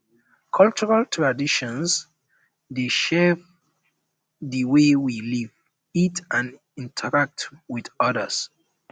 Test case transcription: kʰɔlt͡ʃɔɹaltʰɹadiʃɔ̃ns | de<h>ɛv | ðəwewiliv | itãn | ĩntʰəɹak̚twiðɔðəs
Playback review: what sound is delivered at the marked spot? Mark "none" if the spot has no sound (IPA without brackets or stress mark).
ʃ